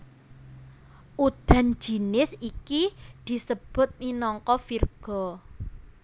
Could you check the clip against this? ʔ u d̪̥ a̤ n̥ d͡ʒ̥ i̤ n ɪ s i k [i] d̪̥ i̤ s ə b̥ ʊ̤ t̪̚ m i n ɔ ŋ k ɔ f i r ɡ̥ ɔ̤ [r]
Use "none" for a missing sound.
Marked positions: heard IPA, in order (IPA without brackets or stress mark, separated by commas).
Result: i, none